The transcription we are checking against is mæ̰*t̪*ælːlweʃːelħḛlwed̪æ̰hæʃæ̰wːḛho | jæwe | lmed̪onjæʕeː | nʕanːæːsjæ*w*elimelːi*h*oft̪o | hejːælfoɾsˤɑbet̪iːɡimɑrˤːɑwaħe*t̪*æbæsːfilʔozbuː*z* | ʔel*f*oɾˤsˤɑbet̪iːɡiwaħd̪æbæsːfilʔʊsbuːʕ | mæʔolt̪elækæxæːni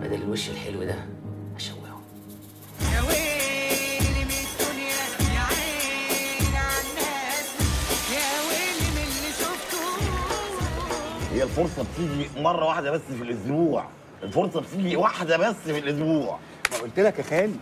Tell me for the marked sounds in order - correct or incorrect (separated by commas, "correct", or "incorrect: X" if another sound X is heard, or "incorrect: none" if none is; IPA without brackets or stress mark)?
incorrect: d̪, correct, incorrect: ʃ, incorrect: d̪, incorrect: ʕ, correct